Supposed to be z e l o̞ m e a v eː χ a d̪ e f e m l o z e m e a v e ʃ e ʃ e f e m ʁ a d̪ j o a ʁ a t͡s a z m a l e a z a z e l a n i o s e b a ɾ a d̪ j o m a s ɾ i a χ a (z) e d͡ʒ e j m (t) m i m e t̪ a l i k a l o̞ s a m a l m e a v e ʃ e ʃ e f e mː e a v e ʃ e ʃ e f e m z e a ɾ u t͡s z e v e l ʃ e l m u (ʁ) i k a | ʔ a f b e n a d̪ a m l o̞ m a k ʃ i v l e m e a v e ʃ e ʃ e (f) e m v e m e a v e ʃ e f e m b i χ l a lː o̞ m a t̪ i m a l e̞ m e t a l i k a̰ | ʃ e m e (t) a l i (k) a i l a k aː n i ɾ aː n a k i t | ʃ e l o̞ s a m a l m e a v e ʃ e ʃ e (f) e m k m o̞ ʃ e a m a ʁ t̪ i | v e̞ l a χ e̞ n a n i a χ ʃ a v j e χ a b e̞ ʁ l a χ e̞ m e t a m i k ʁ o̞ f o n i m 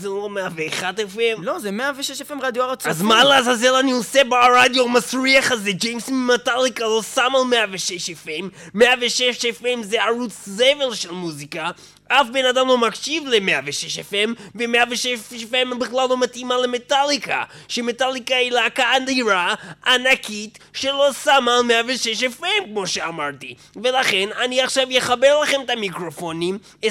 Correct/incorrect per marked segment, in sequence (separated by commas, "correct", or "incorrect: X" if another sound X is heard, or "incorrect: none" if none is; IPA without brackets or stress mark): correct, incorrect: s, incorrect: z, correct, correct, correct, correct